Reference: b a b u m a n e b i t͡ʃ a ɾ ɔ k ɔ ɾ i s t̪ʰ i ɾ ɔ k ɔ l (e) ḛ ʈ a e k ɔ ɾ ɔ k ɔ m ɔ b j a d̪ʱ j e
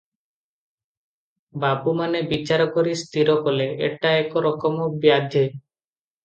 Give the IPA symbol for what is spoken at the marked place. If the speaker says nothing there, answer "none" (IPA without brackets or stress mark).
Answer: e